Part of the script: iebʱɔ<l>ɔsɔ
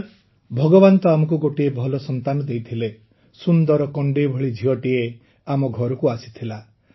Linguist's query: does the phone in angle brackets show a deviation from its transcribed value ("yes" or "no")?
no